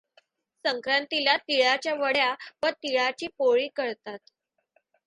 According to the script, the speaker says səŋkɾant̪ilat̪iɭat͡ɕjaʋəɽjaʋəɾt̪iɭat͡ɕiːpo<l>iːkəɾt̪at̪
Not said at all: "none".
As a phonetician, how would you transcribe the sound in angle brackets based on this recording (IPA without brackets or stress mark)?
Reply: ɭ